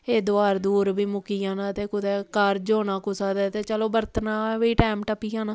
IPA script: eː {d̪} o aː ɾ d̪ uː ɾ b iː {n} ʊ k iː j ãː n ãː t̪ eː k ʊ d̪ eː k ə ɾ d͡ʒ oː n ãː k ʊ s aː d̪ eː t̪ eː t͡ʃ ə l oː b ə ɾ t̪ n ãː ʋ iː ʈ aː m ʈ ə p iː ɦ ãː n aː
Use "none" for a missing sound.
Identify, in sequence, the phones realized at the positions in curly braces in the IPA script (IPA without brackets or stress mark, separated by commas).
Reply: d̪, m